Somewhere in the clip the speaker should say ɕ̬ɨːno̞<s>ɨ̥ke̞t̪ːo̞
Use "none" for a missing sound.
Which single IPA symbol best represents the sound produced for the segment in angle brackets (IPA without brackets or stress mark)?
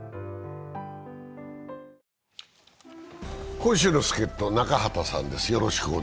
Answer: s